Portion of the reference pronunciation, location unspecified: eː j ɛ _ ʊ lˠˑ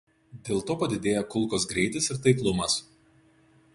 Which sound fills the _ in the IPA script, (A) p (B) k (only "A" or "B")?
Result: B